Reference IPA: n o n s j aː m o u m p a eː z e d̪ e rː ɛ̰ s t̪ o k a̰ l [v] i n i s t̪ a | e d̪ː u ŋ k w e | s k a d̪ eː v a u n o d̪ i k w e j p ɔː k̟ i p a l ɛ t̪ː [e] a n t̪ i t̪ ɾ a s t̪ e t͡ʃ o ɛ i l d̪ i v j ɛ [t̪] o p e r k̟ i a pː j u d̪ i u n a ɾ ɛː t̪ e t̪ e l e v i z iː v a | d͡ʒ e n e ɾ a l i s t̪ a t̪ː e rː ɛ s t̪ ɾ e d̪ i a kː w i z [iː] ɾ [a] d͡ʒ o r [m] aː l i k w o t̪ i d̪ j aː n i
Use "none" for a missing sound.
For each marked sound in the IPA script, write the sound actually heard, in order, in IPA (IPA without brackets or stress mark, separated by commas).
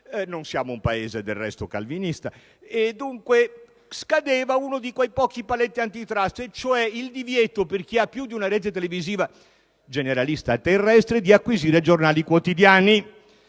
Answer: v, i, t̪, iː, e, n